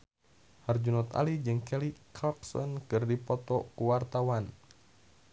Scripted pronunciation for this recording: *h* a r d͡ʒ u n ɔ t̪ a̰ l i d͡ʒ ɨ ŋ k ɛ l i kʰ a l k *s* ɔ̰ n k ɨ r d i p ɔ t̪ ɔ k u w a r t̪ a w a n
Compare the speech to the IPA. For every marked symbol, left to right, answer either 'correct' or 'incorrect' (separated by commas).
correct, correct